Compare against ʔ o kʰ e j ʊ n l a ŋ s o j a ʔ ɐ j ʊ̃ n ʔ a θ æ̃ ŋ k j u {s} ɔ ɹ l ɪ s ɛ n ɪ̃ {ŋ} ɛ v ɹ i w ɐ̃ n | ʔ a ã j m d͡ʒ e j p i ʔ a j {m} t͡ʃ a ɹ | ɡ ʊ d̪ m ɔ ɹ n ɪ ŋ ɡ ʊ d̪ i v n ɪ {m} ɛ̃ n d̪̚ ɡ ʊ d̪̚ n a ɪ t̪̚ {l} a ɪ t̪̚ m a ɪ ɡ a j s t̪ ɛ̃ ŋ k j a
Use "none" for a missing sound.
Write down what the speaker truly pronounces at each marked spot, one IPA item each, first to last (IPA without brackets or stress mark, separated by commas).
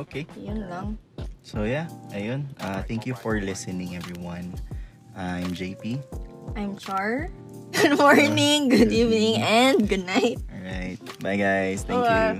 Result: f, ŋ, m, ŋ, ɹ